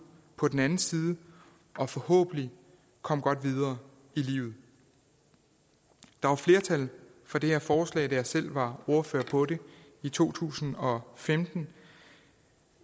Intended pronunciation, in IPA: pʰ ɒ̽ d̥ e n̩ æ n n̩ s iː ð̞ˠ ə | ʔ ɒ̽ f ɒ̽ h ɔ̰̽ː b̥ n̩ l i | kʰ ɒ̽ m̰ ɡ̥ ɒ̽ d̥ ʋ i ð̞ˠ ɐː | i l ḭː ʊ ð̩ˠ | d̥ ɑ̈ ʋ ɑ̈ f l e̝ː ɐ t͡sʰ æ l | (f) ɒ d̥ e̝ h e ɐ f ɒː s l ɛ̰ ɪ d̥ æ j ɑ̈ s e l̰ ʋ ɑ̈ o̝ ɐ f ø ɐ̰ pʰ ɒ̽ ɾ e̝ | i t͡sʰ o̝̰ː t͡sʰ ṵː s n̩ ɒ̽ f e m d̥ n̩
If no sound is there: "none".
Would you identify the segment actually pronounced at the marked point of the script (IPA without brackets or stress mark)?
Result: f